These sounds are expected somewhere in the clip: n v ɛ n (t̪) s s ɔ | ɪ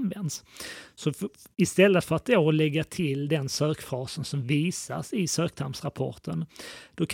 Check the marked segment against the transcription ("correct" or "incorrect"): incorrect